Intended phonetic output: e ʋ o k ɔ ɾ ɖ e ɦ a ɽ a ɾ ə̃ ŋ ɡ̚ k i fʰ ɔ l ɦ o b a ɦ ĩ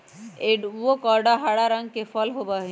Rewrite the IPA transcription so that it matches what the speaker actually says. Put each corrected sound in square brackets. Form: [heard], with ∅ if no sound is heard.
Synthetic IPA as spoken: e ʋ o k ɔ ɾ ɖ [a] ɦ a ɽ a ɾ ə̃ ŋ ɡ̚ k [e] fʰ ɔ l ɦ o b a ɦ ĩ